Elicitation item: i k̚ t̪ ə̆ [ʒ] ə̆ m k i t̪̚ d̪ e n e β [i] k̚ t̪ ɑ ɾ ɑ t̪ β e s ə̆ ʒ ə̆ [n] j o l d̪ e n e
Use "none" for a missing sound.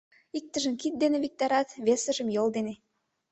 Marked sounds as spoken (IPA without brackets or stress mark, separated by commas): ʒ, i, m